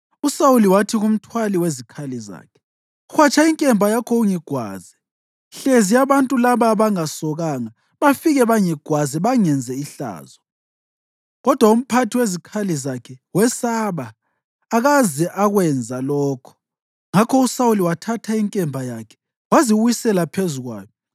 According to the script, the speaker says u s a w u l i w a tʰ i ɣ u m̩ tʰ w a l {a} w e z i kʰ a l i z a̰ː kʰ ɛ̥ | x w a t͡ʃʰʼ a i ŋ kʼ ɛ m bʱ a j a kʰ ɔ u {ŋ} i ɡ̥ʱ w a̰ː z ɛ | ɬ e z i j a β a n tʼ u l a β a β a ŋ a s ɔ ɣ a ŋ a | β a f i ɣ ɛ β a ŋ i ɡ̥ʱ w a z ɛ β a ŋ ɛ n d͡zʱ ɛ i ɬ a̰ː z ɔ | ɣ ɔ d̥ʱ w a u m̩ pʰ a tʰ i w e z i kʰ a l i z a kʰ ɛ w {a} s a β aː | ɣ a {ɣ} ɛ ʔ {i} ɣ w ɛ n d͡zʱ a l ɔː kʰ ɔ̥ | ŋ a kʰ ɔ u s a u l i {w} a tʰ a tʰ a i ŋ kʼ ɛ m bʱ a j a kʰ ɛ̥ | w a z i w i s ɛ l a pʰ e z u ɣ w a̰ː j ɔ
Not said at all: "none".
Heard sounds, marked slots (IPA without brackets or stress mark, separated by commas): i, ŋ, ɛ, z, a, w